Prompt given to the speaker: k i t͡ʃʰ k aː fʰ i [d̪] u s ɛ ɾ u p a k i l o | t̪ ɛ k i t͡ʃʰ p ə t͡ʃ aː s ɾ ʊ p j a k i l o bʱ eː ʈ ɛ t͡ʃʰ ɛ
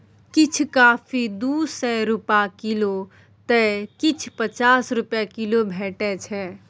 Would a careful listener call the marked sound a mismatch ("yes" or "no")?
no